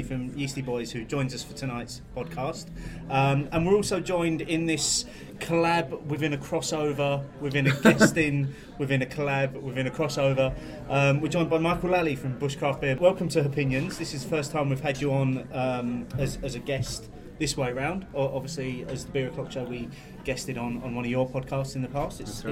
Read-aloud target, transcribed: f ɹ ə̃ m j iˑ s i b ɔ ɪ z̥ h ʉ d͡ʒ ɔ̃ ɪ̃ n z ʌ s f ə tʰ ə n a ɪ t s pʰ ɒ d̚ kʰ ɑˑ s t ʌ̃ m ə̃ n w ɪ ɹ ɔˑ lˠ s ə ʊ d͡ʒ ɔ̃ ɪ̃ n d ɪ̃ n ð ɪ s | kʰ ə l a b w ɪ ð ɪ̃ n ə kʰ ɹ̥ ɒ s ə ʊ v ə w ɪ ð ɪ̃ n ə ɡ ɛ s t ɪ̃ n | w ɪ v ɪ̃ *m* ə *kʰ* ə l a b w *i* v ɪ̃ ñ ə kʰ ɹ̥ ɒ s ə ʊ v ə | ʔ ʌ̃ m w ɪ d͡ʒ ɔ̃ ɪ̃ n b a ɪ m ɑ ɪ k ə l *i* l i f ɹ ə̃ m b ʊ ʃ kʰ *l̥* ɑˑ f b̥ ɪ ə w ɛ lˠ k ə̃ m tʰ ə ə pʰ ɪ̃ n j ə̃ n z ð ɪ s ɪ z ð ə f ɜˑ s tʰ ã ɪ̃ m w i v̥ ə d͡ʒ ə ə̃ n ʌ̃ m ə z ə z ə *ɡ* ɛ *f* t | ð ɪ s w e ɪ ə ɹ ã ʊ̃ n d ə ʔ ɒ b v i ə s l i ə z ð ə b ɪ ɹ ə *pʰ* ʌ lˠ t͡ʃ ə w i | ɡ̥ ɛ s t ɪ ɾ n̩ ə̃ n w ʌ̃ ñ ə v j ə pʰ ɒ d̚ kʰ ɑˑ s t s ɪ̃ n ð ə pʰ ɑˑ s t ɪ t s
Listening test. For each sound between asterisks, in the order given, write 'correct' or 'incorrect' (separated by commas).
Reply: incorrect, correct, incorrect, incorrect, incorrect, correct, incorrect, incorrect